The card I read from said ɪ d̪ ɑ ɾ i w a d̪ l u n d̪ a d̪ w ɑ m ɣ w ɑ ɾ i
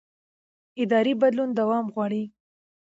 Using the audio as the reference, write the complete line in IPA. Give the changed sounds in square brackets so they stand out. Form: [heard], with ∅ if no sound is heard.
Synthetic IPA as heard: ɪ d̪ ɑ ɾ i [b] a d̪ l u n d̪ a [∅] w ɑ m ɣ w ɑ [ɽ] i